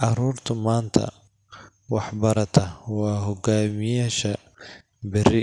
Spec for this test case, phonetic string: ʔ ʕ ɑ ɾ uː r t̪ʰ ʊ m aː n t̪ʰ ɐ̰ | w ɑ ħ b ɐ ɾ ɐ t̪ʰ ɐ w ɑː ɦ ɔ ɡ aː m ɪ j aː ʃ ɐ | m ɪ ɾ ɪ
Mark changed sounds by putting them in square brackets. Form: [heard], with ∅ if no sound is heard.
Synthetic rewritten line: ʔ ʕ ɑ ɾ uː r t̪ʰ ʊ m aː n t̪ʰ ɐ̰ | w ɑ ħ b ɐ ɾ ɐ t̪ʰ ɐ w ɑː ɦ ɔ ɡ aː m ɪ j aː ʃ ɐ | [b] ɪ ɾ ɪ